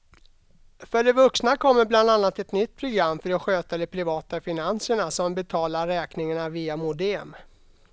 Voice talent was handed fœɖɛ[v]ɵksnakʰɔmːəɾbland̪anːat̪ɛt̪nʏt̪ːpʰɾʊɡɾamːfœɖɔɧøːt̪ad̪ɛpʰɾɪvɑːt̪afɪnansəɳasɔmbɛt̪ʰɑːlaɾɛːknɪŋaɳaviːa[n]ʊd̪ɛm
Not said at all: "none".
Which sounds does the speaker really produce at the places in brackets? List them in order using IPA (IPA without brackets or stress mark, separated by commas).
v, m